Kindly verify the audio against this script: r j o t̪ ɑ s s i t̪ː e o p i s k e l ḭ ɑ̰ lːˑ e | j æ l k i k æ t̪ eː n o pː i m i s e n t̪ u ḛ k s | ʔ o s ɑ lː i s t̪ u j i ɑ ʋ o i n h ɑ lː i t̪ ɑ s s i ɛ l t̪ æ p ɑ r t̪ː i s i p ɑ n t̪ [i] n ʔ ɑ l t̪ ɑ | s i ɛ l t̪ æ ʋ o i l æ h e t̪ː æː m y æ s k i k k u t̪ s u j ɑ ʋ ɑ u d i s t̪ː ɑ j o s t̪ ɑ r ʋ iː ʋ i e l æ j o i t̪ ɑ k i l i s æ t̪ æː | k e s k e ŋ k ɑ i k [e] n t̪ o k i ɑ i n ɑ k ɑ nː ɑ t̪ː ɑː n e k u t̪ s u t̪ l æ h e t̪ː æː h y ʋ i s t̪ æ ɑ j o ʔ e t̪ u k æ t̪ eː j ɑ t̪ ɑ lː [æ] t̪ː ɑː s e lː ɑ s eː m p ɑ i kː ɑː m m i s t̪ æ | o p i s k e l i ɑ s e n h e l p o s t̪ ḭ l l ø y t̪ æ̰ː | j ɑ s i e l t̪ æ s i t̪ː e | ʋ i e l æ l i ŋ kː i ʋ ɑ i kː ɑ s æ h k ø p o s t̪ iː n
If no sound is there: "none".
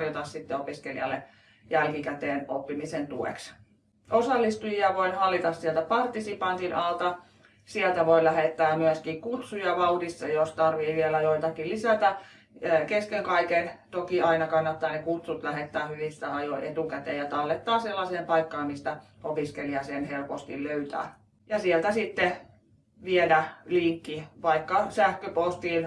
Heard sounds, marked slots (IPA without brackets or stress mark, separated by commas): i, e, e